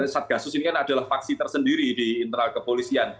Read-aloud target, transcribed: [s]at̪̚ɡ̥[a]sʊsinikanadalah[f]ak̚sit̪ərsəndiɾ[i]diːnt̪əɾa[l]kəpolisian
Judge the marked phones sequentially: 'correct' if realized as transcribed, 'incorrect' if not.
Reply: correct, correct, correct, correct, correct

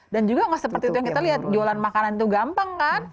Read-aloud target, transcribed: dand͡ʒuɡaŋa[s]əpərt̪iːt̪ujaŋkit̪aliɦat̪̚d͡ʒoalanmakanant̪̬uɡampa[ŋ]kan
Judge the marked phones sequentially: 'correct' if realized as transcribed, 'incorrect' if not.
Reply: correct, correct

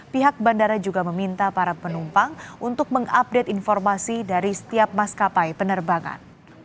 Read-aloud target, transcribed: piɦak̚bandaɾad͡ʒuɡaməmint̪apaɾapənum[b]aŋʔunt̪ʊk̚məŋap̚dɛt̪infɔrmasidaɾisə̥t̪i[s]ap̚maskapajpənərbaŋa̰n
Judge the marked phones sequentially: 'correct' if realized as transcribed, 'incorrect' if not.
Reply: incorrect: p, incorrect: none

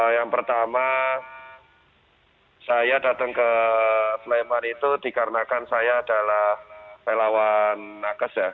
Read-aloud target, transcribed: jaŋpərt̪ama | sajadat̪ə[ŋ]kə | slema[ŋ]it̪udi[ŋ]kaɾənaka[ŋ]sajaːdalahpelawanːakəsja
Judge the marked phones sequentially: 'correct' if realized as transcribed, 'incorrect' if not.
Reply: correct, incorrect: n, incorrect: none, incorrect: n

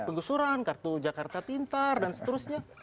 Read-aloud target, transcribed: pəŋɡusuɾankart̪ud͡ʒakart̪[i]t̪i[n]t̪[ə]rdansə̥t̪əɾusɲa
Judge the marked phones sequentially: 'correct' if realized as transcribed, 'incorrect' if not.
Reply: incorrect: a, correct, incorrect: a

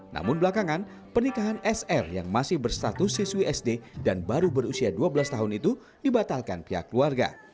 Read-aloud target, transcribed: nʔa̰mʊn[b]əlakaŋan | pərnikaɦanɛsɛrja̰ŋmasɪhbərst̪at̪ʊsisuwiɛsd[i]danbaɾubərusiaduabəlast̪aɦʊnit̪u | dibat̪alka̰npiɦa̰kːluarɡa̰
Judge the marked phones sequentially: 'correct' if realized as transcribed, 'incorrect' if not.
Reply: correct, incorrect: e

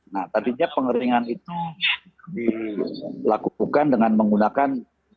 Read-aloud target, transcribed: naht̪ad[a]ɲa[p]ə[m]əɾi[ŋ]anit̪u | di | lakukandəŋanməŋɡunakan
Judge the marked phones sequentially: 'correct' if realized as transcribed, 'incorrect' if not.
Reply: incorrect: i, correct, incorrect: ŋ, correct

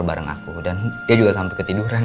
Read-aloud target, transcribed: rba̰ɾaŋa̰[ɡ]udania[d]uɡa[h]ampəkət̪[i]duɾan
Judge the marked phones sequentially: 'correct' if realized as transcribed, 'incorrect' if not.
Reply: incorrect: k, incorrect: d͡ʒ, incorrect: s, correct

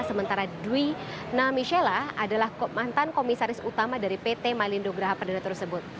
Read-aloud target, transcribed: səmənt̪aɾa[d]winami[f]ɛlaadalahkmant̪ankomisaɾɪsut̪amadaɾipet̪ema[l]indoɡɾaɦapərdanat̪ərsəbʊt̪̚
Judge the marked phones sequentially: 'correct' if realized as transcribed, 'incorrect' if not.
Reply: correct, incorrect: ʃ, correct

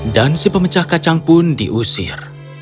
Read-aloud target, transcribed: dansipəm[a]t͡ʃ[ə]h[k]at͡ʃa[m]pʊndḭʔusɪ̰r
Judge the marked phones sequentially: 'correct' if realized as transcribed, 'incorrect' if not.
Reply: incorrect: ə, incorrect: a, correct, incorrect: ŋ

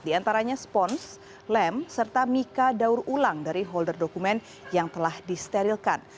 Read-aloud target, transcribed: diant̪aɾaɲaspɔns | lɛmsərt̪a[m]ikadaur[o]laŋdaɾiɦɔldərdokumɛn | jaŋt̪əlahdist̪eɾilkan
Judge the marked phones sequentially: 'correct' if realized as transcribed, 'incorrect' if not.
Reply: correct, incorrect: u

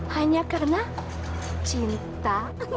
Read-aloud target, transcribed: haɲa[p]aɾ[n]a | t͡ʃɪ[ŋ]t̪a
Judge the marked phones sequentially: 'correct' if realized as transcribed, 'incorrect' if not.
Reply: incorrect: k, correct, incorrect: n

